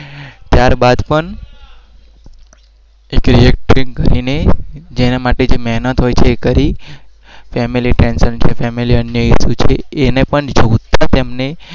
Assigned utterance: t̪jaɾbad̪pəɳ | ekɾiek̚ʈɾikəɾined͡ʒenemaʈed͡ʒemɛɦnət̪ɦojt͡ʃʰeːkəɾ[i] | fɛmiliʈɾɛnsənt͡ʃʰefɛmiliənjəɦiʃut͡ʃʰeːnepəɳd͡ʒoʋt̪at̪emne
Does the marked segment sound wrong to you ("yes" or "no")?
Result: no